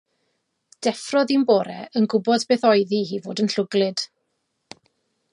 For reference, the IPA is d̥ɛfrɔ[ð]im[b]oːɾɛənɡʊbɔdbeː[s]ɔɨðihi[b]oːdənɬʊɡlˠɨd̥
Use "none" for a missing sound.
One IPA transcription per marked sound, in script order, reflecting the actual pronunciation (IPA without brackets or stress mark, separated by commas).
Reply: ð, b, θ, v